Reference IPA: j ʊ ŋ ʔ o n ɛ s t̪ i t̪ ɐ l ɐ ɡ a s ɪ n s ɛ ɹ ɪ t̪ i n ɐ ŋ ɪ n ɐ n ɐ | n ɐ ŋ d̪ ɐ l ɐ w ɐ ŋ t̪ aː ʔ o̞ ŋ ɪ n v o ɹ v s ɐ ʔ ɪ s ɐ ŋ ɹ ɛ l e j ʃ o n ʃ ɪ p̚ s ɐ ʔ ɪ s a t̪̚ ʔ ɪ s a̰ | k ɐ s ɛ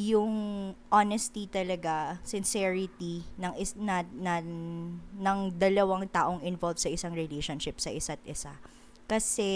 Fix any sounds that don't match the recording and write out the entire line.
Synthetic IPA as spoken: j ʊ ŋ ʔ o n ɛ s t̪ i t̪ ɐ l ɐ ɡ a s ɪ n s ɛ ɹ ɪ t̪ i n ɐ ŋ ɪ n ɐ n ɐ | n ɐ ŋ d̪ ɐ l ɐ w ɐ ŋ t̪ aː ʔ o̞ ŋ ɪ n v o l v s ɐ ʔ ɪ s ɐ ŋ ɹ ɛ l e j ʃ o n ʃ ɪ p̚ s ɐ ʔ ɪ s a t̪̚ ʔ ɪ s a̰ | k ɐ s ɛ